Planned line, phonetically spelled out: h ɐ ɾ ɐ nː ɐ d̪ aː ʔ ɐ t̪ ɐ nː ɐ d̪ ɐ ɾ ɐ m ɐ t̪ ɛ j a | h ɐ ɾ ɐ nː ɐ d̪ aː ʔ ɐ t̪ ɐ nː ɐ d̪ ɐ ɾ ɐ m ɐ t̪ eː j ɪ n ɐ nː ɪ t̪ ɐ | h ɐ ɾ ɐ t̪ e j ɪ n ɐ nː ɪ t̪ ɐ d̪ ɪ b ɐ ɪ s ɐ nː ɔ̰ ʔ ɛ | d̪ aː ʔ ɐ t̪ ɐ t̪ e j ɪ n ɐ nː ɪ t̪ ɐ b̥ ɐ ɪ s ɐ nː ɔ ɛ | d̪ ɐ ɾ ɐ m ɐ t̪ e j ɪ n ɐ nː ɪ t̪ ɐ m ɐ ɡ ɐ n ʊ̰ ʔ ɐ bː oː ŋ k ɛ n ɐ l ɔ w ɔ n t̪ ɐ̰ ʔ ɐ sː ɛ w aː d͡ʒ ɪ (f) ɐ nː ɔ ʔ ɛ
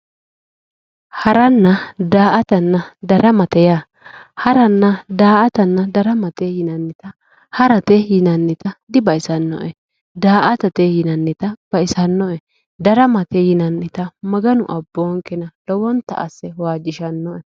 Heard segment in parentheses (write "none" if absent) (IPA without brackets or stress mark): ʃ